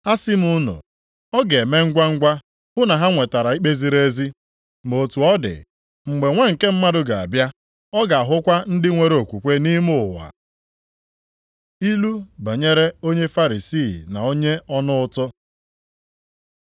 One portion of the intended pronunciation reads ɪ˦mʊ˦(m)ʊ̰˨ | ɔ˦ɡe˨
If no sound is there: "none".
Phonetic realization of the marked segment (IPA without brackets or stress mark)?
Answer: n